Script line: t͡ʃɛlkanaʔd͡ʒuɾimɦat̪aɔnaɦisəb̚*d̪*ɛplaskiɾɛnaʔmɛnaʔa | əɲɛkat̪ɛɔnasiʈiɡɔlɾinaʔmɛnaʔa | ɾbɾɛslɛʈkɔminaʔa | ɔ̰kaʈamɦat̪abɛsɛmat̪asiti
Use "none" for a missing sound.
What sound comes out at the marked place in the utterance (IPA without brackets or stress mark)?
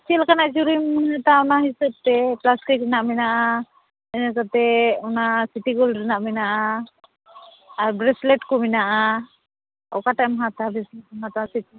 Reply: t̪